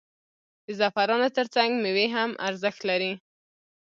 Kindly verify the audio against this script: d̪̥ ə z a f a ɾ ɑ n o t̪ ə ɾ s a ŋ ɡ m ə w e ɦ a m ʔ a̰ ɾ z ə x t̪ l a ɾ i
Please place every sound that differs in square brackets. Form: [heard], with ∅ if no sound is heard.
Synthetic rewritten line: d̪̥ ə z a f a ɾ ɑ n o t̪ ə ɾ [t͡s] a ŋ ɡ m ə w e ɦ a m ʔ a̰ ɾ z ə x t̪ l a ɾ i